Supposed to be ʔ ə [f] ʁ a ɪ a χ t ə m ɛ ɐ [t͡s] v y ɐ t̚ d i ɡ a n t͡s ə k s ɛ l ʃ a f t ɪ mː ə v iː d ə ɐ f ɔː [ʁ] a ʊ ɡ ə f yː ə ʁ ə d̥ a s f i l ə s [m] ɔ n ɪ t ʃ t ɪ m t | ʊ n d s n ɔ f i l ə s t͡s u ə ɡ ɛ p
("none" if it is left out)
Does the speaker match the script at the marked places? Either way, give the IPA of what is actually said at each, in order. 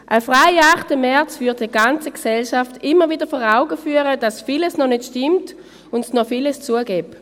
f, t͡s, ʁ, n

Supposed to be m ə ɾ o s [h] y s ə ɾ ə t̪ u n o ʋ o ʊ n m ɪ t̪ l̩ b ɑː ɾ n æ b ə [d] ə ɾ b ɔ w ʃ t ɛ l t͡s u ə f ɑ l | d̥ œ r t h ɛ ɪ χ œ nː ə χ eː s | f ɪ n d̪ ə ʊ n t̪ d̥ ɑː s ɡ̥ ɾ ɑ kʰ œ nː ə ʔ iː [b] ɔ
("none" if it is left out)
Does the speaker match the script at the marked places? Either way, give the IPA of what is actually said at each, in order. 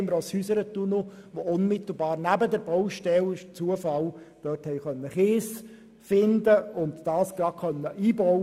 h, d, b

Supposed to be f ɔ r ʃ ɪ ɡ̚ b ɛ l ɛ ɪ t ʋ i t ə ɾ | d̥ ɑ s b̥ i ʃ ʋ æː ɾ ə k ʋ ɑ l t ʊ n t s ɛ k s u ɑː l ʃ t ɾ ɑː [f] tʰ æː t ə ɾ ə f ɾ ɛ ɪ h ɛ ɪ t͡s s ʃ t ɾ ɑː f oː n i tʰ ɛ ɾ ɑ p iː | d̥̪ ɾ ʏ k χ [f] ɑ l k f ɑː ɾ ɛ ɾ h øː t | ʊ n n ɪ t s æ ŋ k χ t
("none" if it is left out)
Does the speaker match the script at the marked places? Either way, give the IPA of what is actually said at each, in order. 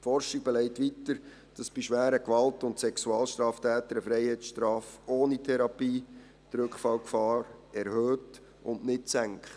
f, f

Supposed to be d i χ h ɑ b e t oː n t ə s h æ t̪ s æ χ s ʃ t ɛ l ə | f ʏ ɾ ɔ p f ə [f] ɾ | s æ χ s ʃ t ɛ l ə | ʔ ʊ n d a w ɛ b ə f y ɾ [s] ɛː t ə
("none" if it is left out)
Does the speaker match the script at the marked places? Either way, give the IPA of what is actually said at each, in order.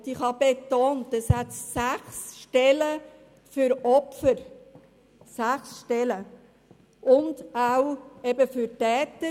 none, t

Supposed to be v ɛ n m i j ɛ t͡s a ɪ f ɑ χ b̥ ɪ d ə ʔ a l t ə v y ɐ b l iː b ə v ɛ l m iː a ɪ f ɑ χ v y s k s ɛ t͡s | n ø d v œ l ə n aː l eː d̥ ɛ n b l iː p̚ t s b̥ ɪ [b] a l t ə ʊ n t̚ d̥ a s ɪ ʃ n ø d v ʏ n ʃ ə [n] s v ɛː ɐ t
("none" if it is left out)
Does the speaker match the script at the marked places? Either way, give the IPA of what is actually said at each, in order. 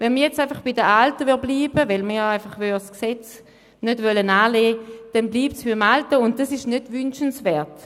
m, n

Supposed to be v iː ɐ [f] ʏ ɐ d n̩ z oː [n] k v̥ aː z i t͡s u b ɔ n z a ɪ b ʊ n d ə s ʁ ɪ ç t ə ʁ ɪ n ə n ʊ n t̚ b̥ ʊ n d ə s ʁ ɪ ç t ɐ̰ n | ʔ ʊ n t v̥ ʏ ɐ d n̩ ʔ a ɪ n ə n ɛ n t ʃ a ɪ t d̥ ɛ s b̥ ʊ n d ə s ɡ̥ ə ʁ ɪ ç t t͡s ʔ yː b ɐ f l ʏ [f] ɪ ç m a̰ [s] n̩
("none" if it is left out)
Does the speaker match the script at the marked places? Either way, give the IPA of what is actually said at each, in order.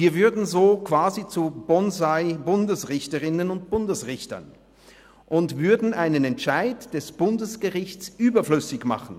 v, none, s, χ

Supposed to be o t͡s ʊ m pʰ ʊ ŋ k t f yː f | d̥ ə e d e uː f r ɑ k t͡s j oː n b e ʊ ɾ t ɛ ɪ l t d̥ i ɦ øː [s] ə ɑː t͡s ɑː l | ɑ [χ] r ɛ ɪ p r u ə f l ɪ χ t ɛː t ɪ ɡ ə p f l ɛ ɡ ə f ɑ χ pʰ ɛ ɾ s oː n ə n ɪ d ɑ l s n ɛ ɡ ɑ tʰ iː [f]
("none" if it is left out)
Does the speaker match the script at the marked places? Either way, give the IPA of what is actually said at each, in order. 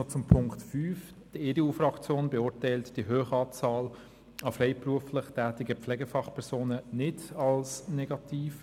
χ, f, f

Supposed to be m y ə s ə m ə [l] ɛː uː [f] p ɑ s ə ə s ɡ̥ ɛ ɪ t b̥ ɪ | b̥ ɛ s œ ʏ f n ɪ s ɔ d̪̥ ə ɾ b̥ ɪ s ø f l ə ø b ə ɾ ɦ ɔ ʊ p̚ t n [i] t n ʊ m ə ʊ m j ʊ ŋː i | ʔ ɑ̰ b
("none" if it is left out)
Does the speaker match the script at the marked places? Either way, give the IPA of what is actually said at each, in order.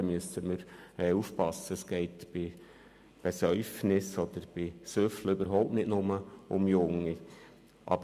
ɾ, f, ɪ

